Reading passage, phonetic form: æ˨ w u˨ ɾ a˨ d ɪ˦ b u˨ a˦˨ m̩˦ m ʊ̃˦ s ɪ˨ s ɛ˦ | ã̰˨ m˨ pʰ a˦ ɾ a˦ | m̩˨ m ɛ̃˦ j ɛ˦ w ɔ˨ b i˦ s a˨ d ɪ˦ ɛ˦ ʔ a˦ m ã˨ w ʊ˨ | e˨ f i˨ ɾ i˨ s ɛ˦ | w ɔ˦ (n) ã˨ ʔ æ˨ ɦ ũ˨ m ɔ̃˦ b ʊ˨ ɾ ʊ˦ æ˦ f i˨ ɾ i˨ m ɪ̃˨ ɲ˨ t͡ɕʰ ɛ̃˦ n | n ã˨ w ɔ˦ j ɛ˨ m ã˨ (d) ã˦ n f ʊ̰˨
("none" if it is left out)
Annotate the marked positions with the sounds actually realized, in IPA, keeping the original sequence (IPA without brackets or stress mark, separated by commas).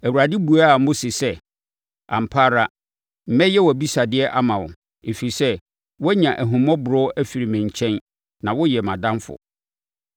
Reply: ɲ, d